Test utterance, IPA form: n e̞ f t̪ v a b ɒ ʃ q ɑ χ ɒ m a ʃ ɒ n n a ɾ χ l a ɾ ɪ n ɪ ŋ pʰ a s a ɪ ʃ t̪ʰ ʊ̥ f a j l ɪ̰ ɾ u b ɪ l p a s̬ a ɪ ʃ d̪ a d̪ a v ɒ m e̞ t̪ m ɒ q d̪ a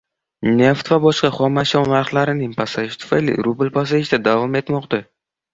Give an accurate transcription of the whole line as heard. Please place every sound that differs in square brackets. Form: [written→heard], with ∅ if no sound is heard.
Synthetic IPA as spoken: n e̞ f t̪ v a b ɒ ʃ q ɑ χ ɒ m a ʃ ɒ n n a ɾ χ l a ɾ ɪ n ɪ ŋ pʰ a s a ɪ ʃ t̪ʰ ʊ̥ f a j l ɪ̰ ɾ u b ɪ l p a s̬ a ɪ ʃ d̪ a d̪ a v ɒ m e̞ t̪ m ɒ q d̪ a